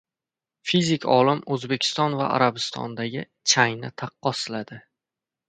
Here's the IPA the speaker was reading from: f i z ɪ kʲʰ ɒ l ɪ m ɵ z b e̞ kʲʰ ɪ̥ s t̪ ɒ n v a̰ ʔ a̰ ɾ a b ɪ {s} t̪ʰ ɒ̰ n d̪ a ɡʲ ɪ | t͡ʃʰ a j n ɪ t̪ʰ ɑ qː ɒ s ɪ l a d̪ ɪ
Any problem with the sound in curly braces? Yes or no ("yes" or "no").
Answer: no